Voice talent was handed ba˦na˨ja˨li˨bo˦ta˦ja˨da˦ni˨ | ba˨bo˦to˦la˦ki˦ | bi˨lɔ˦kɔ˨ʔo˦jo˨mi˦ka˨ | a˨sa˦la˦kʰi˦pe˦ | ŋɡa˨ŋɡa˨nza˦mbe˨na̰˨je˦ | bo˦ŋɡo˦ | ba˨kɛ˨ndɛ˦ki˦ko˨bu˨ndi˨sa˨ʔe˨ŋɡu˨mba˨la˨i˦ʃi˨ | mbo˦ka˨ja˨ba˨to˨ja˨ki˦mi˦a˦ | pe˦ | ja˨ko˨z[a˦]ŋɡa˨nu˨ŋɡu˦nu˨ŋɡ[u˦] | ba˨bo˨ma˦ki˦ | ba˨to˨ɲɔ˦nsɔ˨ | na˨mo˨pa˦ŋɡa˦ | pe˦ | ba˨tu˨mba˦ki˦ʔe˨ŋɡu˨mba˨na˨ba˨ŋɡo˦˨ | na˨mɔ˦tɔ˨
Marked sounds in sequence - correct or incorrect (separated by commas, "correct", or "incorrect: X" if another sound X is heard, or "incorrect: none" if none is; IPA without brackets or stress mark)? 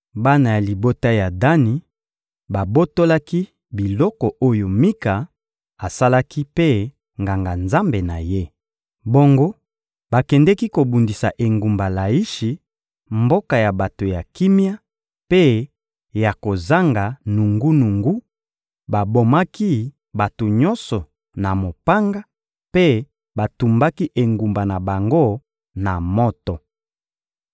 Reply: correct, correct